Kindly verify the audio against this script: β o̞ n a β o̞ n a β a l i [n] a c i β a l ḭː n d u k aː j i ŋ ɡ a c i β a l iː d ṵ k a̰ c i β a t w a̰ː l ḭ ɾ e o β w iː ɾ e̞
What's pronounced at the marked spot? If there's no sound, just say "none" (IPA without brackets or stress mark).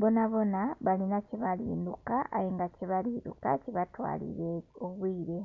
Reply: n